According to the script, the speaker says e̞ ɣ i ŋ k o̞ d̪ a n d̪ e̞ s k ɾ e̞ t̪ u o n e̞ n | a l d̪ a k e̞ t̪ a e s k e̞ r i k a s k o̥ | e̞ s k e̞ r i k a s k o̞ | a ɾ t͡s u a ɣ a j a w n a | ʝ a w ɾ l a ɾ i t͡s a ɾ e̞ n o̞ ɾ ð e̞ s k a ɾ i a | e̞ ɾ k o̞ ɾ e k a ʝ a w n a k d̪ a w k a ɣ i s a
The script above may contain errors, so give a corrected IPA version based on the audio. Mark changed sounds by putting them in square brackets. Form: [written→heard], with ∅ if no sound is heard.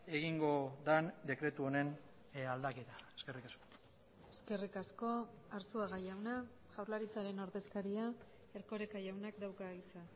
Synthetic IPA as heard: e̞ ɣ i ŋ [k→ɡ] o̞ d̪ a n d̪ e̞ [s→∅] k ɾ e̞ t̪ u o n e̞ n | a l d̪ a k e̞ t̪ a e s k e̞ r i k a s k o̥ | e̞ s k e̞ r i k a s k o̞ | a ɾ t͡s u a ɣ a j a w n a | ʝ a w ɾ l a ɾ i t͡s a ɾ e̞ n o̞ ɾ ð e̞ s k a ɾ i a | e̞ ɾ k o̞ ɾ e k a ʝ a w n a k d̪ a w k a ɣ i s a